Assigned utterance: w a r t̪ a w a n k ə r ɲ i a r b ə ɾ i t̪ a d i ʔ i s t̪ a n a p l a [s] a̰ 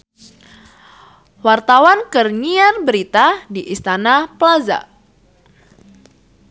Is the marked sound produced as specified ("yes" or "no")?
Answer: no